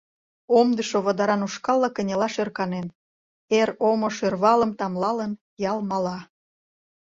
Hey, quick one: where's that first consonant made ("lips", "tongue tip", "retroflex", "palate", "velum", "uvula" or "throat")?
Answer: lips